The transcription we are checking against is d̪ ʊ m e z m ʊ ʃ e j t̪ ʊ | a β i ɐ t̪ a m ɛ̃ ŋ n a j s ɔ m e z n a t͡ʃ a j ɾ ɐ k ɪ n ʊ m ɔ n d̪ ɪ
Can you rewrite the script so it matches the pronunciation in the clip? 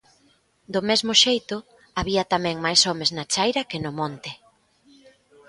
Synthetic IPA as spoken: d̪ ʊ m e z m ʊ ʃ e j t̪ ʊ | a β i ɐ t̪ a m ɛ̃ ŋ m a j s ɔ m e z n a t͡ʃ a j ɾ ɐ k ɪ n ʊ m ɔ n t̪ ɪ